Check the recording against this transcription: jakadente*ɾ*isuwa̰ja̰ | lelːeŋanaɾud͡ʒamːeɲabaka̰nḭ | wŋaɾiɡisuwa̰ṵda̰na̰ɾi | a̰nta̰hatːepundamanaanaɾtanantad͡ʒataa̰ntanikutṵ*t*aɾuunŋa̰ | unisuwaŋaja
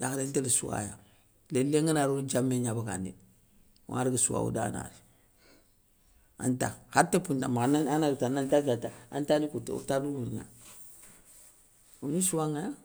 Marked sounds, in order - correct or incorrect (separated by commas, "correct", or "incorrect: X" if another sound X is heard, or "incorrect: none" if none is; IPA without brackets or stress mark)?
incorrect: l, correct